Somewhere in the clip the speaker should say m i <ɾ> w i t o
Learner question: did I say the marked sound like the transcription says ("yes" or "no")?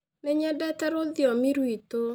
yes